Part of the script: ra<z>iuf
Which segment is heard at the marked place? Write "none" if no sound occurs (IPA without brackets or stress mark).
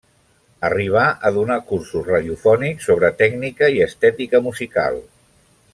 ð